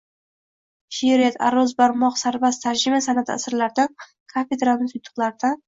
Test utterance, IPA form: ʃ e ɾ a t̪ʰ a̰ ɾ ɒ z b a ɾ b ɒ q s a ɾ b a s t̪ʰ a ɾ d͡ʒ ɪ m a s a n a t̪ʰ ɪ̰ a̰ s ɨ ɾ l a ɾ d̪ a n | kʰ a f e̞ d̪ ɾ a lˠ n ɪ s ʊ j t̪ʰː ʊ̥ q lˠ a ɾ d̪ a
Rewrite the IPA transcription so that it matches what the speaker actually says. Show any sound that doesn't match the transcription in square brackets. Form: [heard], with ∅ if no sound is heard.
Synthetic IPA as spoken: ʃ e ɾ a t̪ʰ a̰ ɾ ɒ z b a ɾ [m] ɒ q s a ɾ b a s t̪ʰ a ɾ d͡ʒ ɪ m a s a n a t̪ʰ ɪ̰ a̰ s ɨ ɾ l a ɾ d̪ a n | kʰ a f e̞ d̪ ɾ a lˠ n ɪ s ʊ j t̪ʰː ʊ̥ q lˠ a ɾ d̪ a